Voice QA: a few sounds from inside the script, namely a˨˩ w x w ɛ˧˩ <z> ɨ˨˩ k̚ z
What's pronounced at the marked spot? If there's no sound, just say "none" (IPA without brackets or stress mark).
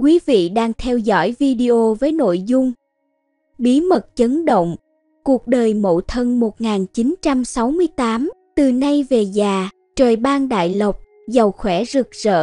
z